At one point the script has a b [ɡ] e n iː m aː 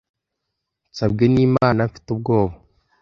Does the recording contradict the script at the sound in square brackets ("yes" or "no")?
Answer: no